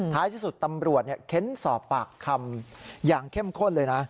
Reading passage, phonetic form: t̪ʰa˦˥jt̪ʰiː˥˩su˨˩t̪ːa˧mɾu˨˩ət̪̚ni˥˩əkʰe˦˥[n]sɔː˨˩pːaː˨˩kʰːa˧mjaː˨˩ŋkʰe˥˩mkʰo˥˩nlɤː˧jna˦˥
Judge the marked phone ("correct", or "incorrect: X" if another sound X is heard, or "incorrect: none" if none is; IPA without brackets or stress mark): correct